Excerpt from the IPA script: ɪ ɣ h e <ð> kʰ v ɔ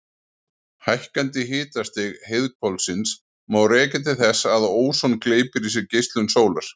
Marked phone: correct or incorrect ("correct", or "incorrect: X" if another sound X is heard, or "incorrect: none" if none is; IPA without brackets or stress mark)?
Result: correct